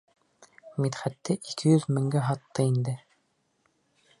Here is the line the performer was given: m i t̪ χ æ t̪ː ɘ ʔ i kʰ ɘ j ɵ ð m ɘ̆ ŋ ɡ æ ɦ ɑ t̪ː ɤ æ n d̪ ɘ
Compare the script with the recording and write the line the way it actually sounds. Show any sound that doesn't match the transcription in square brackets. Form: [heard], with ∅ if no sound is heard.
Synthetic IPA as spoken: m i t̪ χ æ t̪ː ɘ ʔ i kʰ ɘ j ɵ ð m ɘ̆ ŋ ɡ æ ɦ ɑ t̪ː ɤ [i] n d̪ ɘ

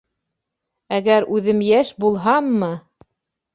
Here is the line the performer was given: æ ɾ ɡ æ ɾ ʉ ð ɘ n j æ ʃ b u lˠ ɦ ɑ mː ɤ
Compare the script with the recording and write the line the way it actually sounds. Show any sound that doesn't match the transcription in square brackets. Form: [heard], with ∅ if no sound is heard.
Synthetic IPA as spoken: æ [∅] ɡ æ ɾ ʉ ð ɘ [m] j æ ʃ b u lˠ ɦ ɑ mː ɤ

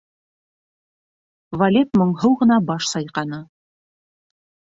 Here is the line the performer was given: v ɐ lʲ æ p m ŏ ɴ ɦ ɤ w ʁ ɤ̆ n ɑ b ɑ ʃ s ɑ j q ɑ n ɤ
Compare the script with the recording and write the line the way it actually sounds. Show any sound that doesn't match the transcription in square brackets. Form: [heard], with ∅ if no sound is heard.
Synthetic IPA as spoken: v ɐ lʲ [e] p m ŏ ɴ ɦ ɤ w ʁ ɤ̆ n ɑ b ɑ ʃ s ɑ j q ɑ n ɤ

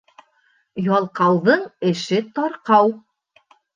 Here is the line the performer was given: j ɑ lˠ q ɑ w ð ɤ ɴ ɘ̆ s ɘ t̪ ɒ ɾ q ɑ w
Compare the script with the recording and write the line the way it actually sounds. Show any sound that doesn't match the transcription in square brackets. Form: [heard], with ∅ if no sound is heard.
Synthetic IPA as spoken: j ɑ lˠ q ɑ w ð ɤ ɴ ɘ̆ [ʃ] ɘ t̪ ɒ ɾ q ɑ w

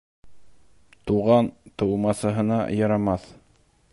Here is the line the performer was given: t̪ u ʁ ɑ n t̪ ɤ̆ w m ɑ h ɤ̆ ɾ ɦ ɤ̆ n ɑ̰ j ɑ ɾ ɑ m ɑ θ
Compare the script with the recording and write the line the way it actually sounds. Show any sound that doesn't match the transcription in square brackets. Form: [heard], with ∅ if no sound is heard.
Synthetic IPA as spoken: t̪ u ʁ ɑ n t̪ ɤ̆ w m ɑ [s] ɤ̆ [∅] ɦ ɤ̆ n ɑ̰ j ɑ ɾ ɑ m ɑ θ

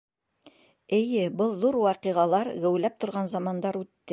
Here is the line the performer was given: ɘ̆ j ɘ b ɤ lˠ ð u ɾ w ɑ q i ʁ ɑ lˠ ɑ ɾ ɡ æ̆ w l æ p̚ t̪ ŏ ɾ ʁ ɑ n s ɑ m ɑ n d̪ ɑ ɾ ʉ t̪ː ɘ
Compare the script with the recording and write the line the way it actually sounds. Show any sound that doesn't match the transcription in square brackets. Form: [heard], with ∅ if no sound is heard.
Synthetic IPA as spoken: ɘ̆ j ɘ b ɤ lˠ ð u ɾ w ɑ q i ʁ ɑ lˠ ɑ ɾ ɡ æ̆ w l æ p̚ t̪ ŏ ɾ ʁ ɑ n [z] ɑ m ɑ n d̪ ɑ ɾ ʉ t̪ː ɘ

